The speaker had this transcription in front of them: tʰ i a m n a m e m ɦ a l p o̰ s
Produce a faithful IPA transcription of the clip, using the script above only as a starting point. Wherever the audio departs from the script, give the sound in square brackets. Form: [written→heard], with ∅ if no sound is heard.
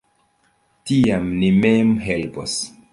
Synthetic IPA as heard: [tʰ→t] i a m n [a→i] m e m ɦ [a→e] l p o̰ s